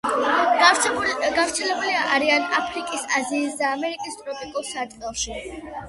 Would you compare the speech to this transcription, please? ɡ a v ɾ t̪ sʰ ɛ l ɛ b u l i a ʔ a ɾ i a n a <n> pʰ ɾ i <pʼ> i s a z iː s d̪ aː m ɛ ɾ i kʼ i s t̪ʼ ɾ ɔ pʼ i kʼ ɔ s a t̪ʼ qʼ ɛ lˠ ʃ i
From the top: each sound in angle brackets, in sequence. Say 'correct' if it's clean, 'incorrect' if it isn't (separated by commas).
incorrect, incorrect